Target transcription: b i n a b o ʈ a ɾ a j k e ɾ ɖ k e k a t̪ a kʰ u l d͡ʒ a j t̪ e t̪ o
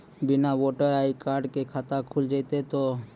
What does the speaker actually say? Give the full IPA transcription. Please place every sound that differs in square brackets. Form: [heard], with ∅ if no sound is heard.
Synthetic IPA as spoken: b i n a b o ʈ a ɾ a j k [a] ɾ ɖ k e [kʰ] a t̪ a kʰ u l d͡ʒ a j t̪ e t̪ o